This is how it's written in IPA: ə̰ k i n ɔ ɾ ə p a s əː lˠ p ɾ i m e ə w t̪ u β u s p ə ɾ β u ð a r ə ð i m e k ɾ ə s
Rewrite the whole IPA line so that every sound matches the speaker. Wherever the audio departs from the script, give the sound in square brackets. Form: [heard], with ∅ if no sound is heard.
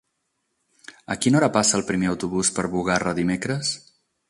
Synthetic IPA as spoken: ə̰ k i n ɔ ɾ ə p a s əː lˠ p ɾ i m e ə w t̪ u β u s p ə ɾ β u [ɣ] a r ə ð i m e k ɾ ə s